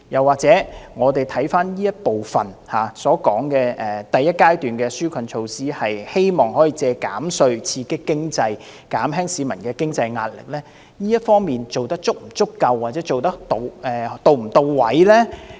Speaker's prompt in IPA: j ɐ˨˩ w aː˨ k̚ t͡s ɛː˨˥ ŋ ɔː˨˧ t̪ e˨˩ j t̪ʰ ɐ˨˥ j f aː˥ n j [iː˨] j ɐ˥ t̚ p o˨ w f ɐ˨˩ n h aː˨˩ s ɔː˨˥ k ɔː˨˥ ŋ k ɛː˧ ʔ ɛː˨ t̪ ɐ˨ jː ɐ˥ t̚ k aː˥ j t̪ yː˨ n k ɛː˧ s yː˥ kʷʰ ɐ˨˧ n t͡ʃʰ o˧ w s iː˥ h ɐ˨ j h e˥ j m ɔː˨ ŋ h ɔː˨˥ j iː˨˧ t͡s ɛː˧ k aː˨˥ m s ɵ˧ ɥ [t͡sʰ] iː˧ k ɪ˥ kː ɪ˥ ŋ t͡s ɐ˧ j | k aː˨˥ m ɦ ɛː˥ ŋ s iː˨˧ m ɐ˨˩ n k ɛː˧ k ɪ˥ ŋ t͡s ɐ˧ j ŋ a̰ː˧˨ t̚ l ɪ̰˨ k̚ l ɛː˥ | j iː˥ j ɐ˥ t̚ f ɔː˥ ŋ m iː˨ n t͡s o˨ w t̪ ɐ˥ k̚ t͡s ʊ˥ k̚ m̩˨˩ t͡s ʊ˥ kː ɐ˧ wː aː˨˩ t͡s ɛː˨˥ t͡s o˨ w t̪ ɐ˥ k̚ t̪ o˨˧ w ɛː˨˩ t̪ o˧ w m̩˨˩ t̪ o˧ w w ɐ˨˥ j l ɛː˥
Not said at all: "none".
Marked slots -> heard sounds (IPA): iː˥, t͡sʰ

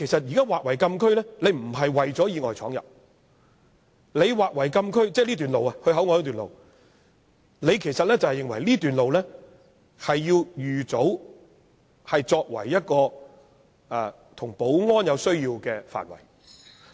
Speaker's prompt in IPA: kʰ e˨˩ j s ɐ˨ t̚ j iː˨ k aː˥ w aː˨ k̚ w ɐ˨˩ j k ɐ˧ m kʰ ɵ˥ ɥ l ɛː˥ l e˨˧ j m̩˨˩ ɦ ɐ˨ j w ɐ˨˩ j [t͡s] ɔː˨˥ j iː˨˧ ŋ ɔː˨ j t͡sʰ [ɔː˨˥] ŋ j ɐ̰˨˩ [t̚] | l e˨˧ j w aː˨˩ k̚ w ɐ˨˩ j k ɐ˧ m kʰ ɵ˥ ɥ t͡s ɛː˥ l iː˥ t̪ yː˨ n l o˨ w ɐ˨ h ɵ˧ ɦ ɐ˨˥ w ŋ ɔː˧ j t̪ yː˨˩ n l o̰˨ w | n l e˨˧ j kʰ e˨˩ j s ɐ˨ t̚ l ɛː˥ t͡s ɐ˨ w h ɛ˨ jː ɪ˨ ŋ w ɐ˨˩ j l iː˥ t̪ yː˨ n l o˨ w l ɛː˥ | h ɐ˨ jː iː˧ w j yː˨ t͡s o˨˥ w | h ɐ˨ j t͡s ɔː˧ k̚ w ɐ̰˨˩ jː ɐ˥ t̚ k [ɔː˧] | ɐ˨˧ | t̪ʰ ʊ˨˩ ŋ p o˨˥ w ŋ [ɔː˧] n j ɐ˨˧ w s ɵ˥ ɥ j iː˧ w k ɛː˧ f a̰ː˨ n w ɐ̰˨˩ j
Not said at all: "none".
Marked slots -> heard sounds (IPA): t͡s, ɔː˨˥, p̚, ɔː˧, ɔː˥

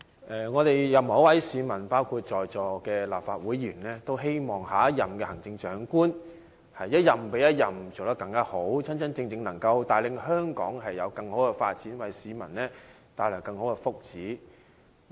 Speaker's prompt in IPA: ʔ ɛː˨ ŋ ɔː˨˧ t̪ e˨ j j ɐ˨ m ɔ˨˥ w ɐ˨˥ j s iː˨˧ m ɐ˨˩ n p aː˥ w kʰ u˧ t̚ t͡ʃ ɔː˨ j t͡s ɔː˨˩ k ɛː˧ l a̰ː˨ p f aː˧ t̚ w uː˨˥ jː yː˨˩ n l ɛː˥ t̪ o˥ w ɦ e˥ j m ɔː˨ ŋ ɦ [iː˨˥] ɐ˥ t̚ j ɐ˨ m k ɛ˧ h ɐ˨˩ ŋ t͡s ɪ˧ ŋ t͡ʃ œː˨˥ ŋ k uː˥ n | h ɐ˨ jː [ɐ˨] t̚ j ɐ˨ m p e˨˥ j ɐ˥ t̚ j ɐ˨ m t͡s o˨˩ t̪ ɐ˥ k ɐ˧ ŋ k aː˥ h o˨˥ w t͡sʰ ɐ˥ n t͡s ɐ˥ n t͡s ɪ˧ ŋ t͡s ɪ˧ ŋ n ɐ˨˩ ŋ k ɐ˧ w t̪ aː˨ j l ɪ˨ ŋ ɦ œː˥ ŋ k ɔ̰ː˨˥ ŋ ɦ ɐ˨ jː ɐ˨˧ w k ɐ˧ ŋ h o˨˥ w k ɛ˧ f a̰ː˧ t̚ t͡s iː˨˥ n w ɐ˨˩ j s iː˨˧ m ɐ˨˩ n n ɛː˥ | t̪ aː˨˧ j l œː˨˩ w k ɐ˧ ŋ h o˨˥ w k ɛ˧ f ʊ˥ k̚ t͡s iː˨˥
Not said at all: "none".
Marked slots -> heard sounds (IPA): aː˨˥, ɐ˥

